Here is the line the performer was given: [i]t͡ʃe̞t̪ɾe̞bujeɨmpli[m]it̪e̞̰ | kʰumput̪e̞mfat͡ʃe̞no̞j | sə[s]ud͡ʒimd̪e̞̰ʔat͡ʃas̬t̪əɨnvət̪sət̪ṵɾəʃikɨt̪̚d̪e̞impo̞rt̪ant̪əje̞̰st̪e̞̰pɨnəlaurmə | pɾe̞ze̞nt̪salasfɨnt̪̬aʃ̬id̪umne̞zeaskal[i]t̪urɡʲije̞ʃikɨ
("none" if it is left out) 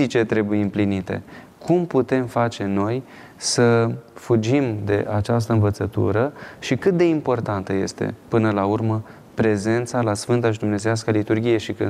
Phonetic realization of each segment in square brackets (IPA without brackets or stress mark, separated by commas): i, n, f, i